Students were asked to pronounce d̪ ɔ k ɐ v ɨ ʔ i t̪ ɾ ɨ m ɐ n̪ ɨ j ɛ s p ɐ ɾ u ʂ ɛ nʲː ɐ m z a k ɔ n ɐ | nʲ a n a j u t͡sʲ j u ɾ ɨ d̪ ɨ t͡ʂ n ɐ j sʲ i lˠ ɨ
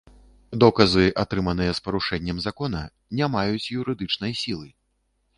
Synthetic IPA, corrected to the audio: d̪ ɔ k ɐ z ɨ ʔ a t̪ ɾ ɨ m ɐ n̪ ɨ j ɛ s p ɐ ɾ u ʂ ɛ nʲː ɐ m z a k ɔ n ɐ | nʲ a m a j u t͡sʲ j u ɾ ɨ d̪ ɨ t͡ʂ n ɐ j sʲ i lˠ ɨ